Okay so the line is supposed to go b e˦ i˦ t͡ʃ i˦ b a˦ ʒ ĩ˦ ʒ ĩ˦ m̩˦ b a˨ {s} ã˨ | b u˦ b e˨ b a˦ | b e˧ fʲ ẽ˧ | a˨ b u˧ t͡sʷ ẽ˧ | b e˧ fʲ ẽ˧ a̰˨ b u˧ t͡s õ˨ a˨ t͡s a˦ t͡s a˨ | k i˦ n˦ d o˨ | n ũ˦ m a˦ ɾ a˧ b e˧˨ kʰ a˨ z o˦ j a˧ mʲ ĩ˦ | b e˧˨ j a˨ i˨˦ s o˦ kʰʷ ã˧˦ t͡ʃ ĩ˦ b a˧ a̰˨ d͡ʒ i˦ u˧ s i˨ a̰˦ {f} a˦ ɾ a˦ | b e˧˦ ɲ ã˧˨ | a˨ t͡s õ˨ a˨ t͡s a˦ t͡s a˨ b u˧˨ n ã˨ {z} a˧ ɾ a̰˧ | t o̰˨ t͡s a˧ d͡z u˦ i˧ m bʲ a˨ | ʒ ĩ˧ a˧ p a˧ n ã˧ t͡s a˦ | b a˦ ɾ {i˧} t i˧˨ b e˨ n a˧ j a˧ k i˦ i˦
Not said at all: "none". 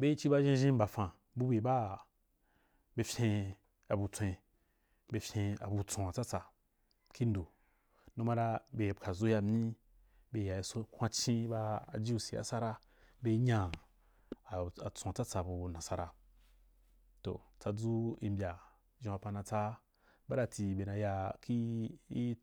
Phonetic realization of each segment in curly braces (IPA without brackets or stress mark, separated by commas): f, s, s, a˧